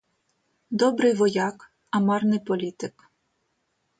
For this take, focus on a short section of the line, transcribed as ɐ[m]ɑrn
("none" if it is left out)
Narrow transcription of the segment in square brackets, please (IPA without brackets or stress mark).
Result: m